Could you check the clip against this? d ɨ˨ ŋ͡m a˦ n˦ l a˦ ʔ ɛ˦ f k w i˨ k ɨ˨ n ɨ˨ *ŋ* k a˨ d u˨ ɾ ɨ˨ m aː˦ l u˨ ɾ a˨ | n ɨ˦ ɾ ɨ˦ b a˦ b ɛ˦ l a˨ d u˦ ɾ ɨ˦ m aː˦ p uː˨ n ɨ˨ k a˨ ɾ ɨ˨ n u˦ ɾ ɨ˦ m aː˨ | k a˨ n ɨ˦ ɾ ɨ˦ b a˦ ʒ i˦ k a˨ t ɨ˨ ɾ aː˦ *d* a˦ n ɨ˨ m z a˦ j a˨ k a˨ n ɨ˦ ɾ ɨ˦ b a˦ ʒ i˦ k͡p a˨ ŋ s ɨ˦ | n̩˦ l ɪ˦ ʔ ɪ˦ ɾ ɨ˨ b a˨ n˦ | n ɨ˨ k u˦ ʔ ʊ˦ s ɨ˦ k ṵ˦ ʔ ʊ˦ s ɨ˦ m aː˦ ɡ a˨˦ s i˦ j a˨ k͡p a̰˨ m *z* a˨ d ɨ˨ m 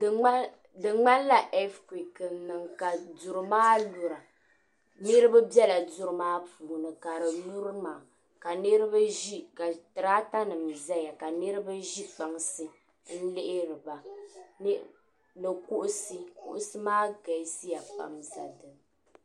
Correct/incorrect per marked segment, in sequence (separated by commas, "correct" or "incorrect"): correct, incorrect, correct